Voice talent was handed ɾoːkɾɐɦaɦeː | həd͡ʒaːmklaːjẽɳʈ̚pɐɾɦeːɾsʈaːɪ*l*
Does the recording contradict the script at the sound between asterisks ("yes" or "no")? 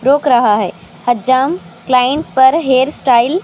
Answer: no